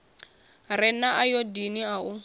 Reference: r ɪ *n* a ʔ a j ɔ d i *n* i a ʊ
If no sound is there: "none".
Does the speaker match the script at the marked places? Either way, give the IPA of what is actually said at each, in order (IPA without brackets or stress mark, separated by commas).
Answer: n, n